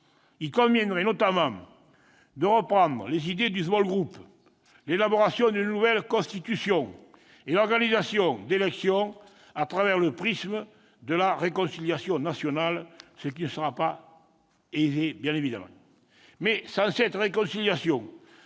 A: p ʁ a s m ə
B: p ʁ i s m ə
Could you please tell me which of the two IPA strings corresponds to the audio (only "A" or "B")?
B